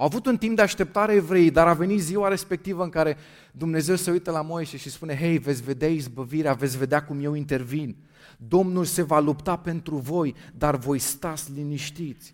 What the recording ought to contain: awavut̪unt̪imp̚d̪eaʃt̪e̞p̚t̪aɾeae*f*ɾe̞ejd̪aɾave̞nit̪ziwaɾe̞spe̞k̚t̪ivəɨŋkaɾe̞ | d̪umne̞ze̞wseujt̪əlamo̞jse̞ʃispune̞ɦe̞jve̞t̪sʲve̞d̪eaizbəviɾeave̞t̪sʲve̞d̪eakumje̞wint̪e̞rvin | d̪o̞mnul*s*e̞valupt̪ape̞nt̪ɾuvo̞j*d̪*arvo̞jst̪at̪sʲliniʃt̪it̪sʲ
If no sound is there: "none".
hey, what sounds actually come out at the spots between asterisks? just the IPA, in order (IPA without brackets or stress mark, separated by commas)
v, s, d̪